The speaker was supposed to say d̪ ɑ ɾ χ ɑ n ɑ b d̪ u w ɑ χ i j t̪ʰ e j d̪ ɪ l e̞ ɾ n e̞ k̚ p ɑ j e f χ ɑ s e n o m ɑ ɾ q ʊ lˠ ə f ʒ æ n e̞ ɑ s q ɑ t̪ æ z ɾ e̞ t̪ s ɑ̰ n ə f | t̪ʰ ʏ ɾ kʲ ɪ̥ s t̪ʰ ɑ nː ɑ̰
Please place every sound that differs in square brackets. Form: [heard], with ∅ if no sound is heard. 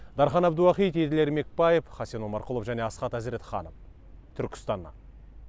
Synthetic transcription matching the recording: d̪ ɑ ɾ χ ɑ n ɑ b d̪ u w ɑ χ i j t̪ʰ e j d̪ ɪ l e̞ ɾ [m] e̞ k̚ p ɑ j e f χ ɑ s e n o m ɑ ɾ q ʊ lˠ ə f ʒ æ n e̞ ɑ s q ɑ t̪ æ z ɾ e̞ t̪ [χ] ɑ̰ n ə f | t̪ʰ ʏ ɾ kʲ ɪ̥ s [t̪] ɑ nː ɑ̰